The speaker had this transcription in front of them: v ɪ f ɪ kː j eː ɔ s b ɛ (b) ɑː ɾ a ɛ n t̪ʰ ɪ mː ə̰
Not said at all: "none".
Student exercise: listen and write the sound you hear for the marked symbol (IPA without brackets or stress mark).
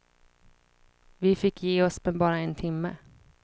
b